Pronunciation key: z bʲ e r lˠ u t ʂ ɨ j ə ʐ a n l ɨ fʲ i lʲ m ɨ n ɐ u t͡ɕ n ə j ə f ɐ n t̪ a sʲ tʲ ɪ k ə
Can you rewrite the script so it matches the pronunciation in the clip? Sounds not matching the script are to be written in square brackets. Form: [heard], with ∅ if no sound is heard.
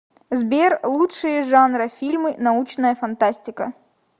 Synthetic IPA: z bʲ e r lˠ u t ʂ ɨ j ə ʐ a n [ɾ] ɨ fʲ i lʲ m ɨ n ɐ u t͡ɕ n ə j ə f ɐ n t̪ a sʲ tʲ ɪ k ə